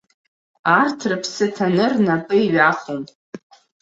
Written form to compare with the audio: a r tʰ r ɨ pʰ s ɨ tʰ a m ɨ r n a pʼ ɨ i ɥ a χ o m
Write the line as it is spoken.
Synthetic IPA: a r tʰ r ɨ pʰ s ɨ tʰ a n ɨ r n a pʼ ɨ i ɥ a χ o m